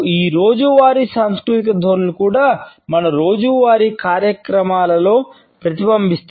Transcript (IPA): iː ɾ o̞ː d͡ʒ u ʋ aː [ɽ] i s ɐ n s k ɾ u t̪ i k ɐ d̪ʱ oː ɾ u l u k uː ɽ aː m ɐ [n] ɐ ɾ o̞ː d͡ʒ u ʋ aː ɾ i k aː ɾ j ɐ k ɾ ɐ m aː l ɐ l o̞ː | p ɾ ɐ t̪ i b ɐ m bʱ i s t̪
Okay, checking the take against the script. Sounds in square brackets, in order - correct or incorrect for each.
incorrect, correct

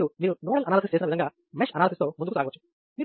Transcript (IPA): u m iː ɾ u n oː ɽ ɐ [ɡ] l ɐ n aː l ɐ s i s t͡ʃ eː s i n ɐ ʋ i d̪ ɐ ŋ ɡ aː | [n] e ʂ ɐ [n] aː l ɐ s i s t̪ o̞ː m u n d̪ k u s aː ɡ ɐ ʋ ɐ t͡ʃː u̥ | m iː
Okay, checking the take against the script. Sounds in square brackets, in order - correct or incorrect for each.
incorrect, incorrect, correct

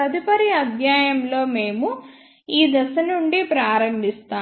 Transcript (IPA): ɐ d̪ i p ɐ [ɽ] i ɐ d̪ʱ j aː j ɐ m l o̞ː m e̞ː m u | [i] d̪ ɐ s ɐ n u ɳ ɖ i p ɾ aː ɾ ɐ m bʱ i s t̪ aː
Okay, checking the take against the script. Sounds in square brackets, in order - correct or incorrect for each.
incorrect, incorrect

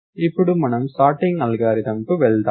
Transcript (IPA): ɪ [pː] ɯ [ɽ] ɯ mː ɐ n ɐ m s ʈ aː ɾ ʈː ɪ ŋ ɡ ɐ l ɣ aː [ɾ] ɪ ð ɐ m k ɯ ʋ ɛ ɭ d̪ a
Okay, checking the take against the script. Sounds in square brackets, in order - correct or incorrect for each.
correct, correct, correct

